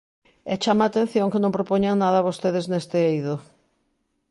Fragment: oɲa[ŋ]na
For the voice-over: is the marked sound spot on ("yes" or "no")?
yes